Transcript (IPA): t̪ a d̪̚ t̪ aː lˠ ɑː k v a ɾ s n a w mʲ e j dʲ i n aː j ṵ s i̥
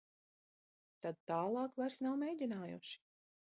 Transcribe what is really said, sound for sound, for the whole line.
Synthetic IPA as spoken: t̪ a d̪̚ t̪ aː lˠ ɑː k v a ɾ s n a w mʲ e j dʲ i n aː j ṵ ʃ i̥